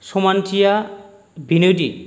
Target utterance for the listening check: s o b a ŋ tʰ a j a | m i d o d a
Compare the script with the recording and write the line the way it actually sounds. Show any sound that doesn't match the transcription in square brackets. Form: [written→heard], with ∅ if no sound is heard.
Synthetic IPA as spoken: s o [b→m] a [ŋ→n] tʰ [a→i] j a | [m→b] i [d→n] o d [a→i]